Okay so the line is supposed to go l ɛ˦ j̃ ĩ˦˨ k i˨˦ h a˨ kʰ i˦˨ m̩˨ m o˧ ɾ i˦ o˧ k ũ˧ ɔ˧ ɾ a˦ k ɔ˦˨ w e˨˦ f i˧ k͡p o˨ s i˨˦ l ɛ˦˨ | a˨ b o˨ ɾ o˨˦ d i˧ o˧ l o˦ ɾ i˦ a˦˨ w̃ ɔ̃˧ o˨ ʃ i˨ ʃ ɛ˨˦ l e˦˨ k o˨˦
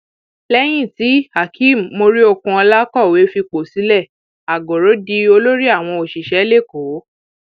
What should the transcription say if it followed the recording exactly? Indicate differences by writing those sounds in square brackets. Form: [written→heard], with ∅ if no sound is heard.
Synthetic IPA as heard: l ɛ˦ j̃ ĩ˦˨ [k→t] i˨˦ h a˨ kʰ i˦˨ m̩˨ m o˧ ɾ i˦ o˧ k ũ˧ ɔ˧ [ɾ→l] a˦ k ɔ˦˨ w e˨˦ f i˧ k͡p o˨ s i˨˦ l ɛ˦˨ | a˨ [b→ɡ] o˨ ɾ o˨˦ d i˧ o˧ l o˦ ɾ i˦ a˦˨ w̃ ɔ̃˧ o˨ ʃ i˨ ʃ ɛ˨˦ l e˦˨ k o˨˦